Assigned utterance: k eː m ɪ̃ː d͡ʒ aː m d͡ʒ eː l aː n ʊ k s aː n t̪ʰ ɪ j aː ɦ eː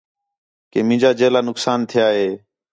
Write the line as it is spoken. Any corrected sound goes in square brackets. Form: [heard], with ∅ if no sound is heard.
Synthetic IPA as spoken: k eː m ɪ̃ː d͡ʒ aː [∅] d͡ʒ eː l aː n ʊ k s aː n t̪ʰ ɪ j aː ɦ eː